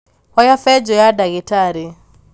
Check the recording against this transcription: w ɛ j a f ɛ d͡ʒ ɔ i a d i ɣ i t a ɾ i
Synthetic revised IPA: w a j a f ɛ d͡ʒ ɔ j a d a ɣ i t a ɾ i